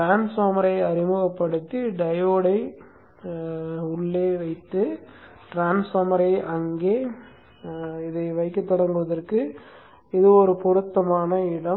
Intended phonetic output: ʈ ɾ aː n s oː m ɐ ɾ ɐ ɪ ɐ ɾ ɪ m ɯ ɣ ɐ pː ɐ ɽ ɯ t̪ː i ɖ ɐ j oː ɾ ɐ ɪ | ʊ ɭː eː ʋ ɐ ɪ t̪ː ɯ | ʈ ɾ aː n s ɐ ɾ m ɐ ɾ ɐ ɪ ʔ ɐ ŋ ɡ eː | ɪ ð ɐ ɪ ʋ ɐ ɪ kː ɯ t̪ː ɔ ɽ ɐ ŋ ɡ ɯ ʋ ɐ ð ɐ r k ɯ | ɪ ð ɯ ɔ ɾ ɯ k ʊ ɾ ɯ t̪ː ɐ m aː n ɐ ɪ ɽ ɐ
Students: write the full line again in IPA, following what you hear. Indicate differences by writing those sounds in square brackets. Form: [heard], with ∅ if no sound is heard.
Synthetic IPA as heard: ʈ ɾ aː n s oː m ɐ ɾ ɐ ɪ ɐ ɾ ɪ m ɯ ɣ ɐ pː ɐ ɽ ɯ t̪ː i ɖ ɐ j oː [ɽ] ɐ ɪ | ʊ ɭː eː ʋ ɐ ɪ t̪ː ɯ | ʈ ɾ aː n s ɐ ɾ m ɐ ɾ ɐ ɪ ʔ ɐ ŋ ɡ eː | ɪ ð ɐ ɪ ʋ ɐ ɪ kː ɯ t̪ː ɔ ɽ ɐ ŋ ɡ ɯ ʋ ɐ ð ɐ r k ɯ | ɪ ð ɯ ɔ ɾ ɯ [p] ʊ ɾ ɯ t̪ː ɐ m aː n ɐ ɪ ɽ ɐ